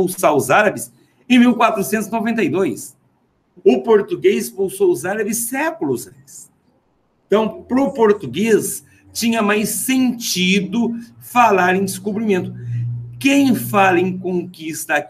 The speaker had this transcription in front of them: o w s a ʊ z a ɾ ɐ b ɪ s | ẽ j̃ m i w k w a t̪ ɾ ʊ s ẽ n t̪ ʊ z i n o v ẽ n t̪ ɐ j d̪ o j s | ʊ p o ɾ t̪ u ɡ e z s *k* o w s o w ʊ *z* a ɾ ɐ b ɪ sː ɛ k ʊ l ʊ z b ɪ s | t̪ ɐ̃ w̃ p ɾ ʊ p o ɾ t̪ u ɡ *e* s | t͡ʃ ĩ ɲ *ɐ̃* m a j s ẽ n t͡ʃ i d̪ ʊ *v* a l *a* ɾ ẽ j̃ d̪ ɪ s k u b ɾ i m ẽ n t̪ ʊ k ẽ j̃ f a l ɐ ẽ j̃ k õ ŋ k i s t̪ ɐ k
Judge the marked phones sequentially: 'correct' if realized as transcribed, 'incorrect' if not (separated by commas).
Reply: incorrect, correct, correct, incorrect, incorrect, correct